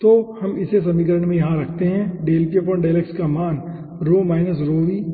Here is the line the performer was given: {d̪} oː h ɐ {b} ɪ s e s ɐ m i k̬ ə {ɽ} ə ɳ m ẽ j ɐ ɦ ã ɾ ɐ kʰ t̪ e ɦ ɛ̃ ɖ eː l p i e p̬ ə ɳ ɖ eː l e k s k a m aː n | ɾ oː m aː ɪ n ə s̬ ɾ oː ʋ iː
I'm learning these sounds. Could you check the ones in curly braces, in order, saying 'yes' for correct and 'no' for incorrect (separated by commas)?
no, no, no